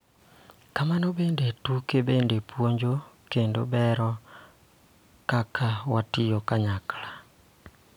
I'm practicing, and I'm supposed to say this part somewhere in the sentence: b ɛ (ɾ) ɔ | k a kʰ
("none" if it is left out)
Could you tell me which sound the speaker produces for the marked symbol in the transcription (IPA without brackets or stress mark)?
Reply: ɾ